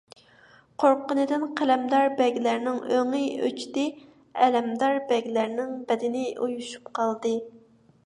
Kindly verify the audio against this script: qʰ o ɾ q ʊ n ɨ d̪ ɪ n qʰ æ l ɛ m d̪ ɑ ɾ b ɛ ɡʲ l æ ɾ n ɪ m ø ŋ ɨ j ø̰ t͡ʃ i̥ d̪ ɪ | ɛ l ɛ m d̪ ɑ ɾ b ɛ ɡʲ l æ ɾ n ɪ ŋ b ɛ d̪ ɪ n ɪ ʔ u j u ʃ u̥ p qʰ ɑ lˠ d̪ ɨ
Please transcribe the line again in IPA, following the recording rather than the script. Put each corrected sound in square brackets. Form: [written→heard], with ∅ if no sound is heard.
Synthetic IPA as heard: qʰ o ɾ q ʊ n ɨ d̪ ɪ n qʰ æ l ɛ m d̪ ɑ ɾ b ɛ ɡʲ l æ ɾ n ɪ [m→ŋ] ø ŋ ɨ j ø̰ t͡ʃ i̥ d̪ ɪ | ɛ l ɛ m d̪ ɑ ɾ b ɛ ɡʲ l æ ɾ n ɪ ŋ b ɛ d̪ ɪ n ɪ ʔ u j u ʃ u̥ p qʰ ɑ lˠ d̪ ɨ

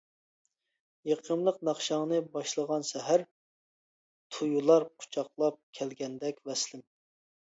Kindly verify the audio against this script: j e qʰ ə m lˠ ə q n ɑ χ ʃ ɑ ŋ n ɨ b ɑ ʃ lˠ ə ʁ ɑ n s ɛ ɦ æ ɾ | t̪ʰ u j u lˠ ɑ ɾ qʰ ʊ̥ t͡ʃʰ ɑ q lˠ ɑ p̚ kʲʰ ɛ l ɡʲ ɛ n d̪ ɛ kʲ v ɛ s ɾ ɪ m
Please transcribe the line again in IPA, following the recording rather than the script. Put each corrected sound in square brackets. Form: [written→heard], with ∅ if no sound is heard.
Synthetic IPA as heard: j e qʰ ə m lˠ ə q n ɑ χ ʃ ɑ ŋ n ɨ b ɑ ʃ lˠ ə ʁ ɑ n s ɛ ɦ æ ɾ | t̪ʰ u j u lˠ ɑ ɾ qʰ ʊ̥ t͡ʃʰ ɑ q lˠ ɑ p̚ kʲʰ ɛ l ɡʲ ɛ n d̪ ɛ kʲ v ɛ s [ɾ→l] ɪ m

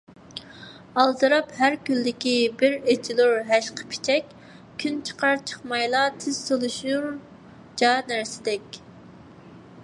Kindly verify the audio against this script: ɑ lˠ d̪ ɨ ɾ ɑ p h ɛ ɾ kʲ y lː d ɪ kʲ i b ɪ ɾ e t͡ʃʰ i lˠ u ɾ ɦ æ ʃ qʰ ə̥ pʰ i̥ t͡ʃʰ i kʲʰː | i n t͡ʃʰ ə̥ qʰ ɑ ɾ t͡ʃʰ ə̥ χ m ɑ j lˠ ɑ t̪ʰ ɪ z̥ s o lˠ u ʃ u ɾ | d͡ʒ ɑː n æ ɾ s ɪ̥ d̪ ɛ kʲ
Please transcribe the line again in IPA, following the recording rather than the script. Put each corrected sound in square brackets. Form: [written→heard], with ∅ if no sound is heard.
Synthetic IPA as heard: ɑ lˠ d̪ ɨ ɾ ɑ p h [ɛ→æ] ɾ kʲ y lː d ɪ kʲ i b ɪ ɾ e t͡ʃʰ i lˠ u ɾ ɦ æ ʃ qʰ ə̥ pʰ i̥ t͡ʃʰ [i→ɛ] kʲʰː | [i→y] n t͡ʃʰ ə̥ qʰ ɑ ɾ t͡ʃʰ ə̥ χ m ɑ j lˠ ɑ t̪ʰ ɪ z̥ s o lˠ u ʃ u ɾ | d͡ʒ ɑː n æ ɾ s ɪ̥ d̪ ɛ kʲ

